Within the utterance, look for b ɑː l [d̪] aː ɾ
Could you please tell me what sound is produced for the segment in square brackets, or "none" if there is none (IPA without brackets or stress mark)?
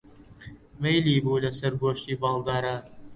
d̪